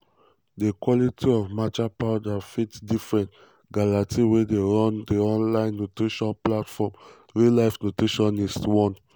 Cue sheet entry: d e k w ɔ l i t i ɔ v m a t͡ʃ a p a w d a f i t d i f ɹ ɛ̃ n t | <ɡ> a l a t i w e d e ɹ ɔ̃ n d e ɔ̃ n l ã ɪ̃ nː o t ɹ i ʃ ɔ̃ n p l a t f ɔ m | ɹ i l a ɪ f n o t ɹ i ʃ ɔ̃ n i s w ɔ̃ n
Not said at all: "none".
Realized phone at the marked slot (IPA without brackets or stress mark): ɡ